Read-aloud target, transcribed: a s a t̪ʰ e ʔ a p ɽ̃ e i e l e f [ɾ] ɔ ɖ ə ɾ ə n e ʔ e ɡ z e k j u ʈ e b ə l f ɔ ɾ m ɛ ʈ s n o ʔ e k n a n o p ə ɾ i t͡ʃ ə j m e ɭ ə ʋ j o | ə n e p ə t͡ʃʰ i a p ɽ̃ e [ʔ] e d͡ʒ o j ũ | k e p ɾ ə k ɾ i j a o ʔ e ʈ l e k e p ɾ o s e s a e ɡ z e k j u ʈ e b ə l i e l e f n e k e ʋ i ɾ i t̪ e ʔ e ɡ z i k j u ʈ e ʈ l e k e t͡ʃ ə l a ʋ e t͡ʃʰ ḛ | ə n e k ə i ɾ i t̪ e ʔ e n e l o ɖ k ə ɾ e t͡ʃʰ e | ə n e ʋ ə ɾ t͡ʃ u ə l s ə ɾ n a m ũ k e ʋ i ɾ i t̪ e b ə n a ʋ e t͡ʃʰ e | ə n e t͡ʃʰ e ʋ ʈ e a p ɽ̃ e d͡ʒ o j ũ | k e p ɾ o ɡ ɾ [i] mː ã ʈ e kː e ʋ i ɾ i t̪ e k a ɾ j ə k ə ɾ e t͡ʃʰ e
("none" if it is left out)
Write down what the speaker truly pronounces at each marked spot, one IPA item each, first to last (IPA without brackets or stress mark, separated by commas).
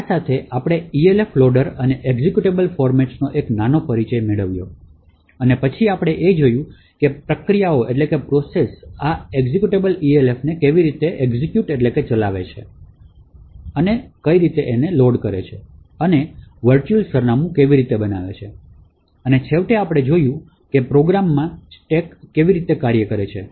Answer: l, ʔ, a